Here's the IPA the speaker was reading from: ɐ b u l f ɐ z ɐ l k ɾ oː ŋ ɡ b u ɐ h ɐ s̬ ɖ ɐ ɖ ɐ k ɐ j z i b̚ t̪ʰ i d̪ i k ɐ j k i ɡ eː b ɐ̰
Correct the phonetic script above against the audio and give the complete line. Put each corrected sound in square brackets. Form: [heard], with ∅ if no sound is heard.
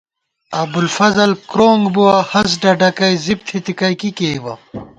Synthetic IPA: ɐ b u l f ɐ z ɐ l k ɾ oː ŋ ɡ b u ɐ h ɐ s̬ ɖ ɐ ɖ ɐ k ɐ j z i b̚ t̪ʰ i [t̪] i k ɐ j k i [k] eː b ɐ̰